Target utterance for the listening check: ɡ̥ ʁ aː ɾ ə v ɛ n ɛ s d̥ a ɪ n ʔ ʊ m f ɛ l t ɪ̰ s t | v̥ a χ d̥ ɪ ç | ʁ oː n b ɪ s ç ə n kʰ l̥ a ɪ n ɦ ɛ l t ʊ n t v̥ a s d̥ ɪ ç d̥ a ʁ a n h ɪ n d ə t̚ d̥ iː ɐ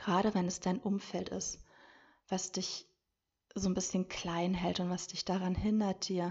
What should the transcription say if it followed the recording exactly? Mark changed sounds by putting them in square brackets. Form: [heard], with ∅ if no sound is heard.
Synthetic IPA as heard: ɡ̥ ʁ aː ɾ ə v ɛ n ɛ s d̥ a ɪ n ʔ ʊ m f ɛ l t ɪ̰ s t | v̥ a [s] d̥ ɪ ç | [z] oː n b ɪ s ç ə n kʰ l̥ a ɪ n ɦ ɛ l t ʊ n t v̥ a s d̥ ɪ ç d̥ a ʁ a n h ɪ n d [ɐ] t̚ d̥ iː ɐ